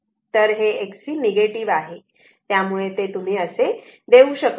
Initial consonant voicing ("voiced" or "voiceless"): voiceless